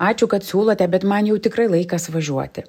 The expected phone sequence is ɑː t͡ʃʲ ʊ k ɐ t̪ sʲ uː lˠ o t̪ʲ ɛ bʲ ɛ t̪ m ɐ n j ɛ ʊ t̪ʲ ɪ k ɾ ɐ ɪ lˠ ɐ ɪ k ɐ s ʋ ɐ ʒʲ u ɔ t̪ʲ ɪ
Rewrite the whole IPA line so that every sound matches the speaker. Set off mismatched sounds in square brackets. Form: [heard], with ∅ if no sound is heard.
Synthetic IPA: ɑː t͡ʃʲ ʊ k ɐ t̪ sʲ uː lˠ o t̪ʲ ɛ bʲ ɛ t̪ m ɐ n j ɛ ʊ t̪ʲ ɪ k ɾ ɐ ɪ lˠ ɐ ɪ k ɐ s ʋ ɐ ʒʲ u ɔ t̪ʲ ɪ